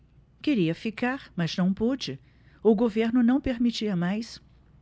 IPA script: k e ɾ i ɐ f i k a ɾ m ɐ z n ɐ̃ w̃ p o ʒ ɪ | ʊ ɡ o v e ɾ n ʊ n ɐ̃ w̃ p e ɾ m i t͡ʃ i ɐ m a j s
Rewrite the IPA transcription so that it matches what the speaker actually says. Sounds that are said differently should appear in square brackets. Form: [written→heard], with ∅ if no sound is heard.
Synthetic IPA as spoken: k e ɾ i ɐ f i k a ɾ m ɐ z n ɐ̃ w̃ p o [ʒ→d͡ʒ] ɪ | ʊ ɡ o v e ɾ n ʊ n ɐ̃ w̃ p e ɾ m i t͡ʃ i ɐ m a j s